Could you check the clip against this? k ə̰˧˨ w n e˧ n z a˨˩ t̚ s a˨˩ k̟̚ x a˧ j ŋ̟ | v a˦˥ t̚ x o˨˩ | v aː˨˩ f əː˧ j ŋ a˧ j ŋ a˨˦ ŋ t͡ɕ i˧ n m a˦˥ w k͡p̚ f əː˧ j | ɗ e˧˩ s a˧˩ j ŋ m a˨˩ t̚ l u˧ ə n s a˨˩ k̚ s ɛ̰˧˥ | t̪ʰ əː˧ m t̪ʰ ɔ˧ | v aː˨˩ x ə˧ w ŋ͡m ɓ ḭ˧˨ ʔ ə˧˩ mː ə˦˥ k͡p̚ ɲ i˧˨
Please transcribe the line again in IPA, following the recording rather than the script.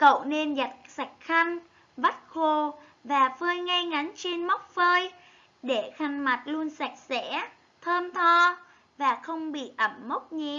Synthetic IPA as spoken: k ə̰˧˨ w n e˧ n z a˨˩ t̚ s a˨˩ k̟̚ x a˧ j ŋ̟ | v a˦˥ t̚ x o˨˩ | v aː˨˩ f əː˧ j ŋ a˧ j ŋ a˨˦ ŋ t͡ɕ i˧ n m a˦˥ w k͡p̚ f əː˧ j | ɗ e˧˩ x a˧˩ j ŋ m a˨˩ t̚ l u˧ ə n s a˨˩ k̚ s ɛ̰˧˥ | t̪ʰ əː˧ m t̪ʰ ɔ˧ | v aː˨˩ x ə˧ w ŋ͡m ɓ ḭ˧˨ ʔ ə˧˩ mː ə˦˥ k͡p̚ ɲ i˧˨

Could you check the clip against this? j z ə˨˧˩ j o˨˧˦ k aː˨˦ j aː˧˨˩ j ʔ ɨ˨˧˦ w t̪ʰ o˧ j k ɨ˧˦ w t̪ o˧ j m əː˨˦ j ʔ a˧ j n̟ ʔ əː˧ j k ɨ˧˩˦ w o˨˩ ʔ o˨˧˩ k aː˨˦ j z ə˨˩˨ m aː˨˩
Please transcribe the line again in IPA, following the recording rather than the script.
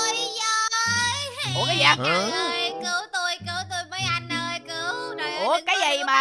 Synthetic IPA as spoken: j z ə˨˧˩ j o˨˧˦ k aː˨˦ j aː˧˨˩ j k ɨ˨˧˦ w t̪ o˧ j k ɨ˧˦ w t̪ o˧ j m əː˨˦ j ʔ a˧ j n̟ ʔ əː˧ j k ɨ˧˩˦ w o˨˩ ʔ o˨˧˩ k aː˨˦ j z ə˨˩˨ m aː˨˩

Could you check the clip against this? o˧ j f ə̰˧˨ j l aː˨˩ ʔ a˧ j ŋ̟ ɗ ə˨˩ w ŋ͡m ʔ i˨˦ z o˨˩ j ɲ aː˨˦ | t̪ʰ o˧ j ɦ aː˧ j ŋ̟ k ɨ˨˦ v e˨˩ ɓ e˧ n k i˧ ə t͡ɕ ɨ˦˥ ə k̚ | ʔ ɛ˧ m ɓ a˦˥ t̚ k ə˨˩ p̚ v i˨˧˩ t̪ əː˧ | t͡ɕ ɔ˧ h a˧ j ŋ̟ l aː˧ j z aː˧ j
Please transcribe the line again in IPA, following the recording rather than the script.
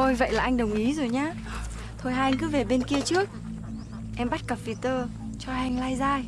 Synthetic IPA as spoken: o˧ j v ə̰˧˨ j l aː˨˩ ʔ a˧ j ŋ̟ ɗ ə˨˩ w ŋ͡m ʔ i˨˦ z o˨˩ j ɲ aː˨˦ | t̪ʰ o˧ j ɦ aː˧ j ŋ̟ k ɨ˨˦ v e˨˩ ɓ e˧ n k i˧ ə t͡ɕ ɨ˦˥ ə k̚ | ʔ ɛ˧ m ɓ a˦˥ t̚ k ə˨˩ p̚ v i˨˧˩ t̪ əː˧ | t͡ɕ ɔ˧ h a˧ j ŋ̟ l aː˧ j z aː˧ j

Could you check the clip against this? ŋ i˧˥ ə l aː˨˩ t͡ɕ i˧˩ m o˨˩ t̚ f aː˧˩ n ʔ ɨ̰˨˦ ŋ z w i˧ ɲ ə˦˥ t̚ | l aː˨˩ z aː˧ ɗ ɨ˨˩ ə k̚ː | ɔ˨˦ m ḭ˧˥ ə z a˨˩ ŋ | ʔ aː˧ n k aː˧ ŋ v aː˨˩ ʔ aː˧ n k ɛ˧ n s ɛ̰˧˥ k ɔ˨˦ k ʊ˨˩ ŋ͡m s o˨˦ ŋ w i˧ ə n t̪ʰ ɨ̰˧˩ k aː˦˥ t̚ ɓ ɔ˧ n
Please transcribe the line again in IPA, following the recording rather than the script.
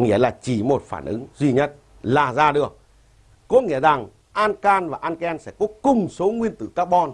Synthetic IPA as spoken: ŋ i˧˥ ə l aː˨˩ t͡ɕ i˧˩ m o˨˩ t̚ f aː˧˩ n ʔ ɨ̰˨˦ ŋ z w i˧ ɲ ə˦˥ t̚ | l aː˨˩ z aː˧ ɗ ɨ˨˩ ə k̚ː | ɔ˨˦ ŋ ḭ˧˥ ə z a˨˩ ŋ | ʔ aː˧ n k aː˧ n v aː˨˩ ʔ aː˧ n k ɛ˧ n s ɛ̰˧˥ k ɔ˨˦ k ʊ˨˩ ŋ͡m s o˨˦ ŋ w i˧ ə n t̪ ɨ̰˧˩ k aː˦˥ k̚ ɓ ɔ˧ n

